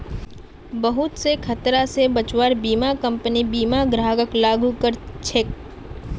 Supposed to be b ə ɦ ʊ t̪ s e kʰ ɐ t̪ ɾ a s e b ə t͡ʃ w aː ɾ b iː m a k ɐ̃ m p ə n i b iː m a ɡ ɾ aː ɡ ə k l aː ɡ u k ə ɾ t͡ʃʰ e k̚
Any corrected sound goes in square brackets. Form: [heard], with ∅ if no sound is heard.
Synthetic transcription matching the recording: b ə ɦ ʊ t̪ s e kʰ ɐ t̪ ɾ a s e b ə t͡ʃ w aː ɾ b iː m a k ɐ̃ m p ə n i b iː m a ɡ ɾ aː ɡ ə k l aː ɡ u k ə ɾ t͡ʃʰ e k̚